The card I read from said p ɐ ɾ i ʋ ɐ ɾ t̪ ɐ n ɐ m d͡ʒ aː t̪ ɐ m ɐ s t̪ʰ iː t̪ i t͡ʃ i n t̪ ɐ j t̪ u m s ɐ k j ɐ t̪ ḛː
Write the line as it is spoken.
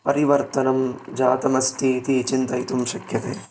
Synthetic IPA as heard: p ɐ ɾ i ʋ ɐ ɾ t̪ ɐ n ɐ m d͡ʒ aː t̪ ɐ m ɐ s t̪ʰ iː t̪ i t͡ʃ i n t̪ ɐ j t̪ u m ʃ ɐ k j ɐ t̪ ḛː